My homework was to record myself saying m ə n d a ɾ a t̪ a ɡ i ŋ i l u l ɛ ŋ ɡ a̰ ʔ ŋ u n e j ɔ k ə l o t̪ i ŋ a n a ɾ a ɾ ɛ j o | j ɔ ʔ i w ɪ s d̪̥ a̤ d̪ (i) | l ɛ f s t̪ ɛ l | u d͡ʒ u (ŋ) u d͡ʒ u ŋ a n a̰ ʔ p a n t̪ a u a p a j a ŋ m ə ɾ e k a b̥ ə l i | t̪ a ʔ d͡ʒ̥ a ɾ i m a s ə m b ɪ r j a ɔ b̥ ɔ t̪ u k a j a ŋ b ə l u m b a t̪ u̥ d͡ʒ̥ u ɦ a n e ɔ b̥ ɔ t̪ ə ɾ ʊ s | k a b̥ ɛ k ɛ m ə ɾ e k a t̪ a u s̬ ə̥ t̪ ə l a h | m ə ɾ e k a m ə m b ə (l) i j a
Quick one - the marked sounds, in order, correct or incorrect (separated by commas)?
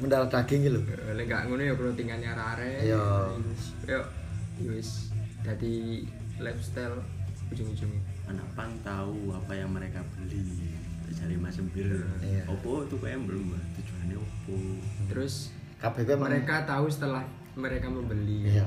correct, correct, correct